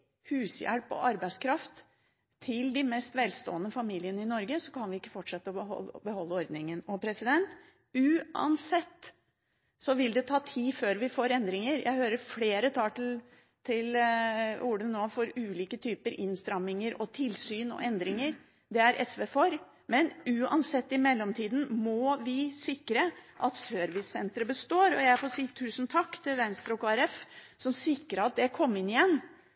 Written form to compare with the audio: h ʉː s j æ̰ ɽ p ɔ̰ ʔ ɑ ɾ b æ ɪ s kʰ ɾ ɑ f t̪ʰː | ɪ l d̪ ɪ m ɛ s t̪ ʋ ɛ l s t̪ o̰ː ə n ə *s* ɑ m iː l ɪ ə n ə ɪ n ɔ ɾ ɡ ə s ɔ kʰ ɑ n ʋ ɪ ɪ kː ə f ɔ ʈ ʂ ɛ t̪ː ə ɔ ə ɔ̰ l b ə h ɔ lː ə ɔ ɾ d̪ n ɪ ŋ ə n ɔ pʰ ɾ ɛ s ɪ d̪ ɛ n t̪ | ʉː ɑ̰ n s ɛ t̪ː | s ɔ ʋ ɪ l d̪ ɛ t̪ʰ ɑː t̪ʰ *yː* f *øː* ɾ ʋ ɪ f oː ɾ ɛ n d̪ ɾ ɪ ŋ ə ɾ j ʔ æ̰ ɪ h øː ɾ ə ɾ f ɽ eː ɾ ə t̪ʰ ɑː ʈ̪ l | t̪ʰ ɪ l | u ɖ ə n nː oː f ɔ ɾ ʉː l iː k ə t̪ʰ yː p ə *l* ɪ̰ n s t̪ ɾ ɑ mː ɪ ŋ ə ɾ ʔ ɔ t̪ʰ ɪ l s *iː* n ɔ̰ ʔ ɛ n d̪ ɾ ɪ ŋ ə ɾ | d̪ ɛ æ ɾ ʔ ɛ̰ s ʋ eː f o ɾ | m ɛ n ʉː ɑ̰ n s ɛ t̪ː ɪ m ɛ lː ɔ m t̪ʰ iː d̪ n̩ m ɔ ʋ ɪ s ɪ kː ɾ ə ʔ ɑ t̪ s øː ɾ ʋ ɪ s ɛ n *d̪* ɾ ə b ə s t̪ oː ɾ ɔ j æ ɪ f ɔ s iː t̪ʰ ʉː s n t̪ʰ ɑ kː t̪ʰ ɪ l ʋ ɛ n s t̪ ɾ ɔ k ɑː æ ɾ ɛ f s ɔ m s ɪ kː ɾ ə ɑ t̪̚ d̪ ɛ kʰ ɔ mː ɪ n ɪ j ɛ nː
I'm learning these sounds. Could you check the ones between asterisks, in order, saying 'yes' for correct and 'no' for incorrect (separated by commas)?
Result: no, no, yes, no, no, no